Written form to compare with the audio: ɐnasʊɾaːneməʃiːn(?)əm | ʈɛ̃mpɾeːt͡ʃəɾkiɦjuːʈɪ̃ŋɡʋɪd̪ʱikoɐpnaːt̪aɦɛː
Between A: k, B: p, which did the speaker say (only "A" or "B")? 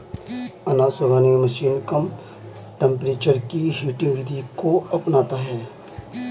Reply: A